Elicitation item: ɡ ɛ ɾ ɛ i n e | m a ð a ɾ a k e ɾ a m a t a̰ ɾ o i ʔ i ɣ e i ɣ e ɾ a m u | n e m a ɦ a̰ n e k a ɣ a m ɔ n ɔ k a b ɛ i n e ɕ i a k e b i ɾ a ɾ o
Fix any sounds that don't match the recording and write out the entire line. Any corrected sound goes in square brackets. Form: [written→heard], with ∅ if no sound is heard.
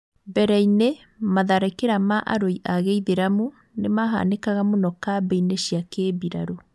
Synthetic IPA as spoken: [ɡ→b] ɛ ɾ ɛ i n e | m a ð a ɾ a k e ɾ a m a [t→ʔ] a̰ ɾ o i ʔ [i→a] ɣ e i [ɣ→ð] e ɾ a m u | n e m a ɦ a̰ n e k a ɣ a m [ɔ→o] n ɔ k a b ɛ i n e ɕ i a k e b i ɾ a ɾ o